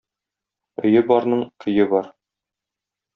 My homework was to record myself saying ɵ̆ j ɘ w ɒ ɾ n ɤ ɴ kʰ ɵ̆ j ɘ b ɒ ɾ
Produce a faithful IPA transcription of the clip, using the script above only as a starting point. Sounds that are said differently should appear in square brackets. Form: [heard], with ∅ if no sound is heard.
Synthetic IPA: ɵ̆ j ɘ [b] ɒ ɾ n ɤ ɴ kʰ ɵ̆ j ɘ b ɒ ɾ